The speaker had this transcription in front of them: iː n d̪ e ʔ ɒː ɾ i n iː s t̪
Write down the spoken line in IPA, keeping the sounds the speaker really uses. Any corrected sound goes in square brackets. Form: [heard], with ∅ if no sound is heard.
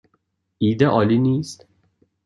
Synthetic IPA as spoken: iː [∅] d̪ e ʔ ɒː [l] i n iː s t̪